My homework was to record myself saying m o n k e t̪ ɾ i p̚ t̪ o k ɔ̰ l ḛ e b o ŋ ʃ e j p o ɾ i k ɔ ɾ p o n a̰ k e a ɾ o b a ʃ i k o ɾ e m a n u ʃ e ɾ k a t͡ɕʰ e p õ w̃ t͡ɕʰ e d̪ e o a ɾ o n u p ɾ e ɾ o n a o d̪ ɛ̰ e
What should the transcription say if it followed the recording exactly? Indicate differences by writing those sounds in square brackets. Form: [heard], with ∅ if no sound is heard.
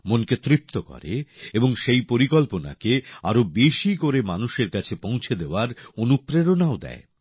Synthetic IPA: m o n k e t̪ ɾ i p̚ t̪ o k ɔ̰ [ɾ] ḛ e b o ŋ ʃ e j p o ɾ i k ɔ [l] p o n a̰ k e a ɾ o b [e] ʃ i k o ɾ e m a n u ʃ e ɾ k a t͡ɕʰ e p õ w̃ t͡ɕʰ e d̪ e o a ɾ o n u p ɾ e ɾ o n a o d̪ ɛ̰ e